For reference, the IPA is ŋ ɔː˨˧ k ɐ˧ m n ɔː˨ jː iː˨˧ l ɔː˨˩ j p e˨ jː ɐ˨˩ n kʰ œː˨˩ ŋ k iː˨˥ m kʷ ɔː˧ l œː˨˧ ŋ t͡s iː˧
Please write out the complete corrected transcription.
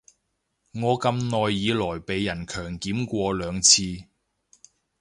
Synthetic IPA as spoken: ŋ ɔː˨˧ k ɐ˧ m n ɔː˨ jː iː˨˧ l ɔː˨˩ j p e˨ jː ɐ˨˩ n kʰ œː˨˩ ŋ k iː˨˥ m kʷ ɔː˧ l œː˨˧ ŋ t͡sʰ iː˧